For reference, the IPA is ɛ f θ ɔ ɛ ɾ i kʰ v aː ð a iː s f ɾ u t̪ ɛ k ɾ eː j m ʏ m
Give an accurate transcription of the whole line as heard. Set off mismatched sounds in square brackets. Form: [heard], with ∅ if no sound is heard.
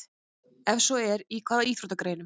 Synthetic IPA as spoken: ɛ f [s] ɔ ɛ ɾ i kʰ v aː ð a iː [θ] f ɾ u t̪ [a] k ɾ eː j [n] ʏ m